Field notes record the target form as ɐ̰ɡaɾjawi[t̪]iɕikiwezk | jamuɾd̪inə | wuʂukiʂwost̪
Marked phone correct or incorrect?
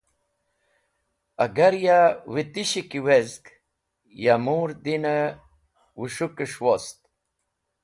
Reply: correct